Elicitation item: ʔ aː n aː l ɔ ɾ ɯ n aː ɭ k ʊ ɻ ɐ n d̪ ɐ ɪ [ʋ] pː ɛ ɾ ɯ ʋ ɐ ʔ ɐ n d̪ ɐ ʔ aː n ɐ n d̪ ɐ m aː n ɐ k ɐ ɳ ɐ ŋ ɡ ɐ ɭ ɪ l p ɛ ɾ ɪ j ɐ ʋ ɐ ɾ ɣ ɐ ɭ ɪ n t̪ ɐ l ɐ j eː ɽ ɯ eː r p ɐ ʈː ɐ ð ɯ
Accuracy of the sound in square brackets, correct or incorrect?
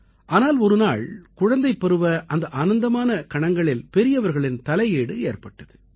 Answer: incorrect